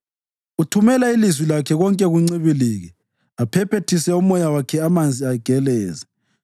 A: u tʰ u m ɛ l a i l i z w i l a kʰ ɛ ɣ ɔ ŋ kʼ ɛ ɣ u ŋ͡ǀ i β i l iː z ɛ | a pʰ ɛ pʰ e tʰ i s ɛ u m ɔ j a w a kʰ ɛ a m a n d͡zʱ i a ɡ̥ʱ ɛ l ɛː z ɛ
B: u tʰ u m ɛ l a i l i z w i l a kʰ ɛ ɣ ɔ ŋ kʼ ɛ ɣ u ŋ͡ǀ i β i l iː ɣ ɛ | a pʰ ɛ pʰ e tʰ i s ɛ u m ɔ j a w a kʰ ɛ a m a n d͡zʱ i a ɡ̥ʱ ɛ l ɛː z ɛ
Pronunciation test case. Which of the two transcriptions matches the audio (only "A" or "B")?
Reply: B